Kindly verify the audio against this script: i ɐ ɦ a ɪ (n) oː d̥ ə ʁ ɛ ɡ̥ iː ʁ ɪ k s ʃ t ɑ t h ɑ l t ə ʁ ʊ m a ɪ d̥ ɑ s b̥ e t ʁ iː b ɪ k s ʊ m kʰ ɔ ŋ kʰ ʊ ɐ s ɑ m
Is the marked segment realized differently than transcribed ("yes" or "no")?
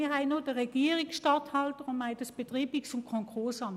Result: no